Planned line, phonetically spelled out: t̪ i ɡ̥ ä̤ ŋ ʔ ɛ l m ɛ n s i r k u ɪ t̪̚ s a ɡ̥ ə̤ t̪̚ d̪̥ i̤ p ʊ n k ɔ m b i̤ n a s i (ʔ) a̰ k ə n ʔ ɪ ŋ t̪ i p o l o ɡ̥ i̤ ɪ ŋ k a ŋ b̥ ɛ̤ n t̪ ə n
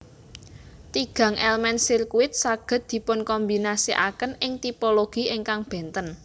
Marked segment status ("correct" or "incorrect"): correct